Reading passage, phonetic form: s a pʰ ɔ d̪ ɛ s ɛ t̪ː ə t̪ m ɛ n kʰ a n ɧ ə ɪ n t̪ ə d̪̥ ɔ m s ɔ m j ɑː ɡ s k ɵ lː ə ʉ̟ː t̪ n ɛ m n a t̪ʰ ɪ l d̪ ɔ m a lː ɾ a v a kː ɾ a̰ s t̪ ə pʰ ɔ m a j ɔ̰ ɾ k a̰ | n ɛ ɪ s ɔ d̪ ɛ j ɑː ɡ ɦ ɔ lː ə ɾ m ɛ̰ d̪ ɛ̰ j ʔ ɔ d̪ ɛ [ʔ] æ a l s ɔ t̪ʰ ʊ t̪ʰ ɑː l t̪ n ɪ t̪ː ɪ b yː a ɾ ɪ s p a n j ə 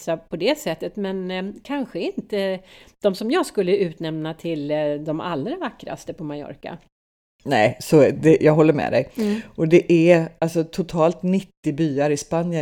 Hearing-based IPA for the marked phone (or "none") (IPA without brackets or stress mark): ʔ